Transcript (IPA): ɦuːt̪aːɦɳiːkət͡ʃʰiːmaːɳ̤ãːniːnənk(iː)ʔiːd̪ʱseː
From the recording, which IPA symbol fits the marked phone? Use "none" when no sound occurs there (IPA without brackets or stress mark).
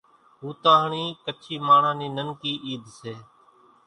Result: iː